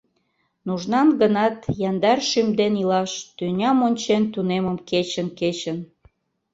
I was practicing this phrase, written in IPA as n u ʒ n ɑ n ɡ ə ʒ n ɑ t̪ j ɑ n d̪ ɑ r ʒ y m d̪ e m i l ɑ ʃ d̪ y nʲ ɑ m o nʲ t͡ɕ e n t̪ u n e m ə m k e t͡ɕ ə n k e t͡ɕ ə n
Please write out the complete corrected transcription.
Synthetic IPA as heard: n u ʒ n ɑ n ɡ ə n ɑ t̪ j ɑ n d̪ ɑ r ʃ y m d̪ e n i l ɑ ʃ t̪ y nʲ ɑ m o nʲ t͡ɕ e n t̪ u n e m ə m k e t͡ɕ ə n k e t͡ɕ ə n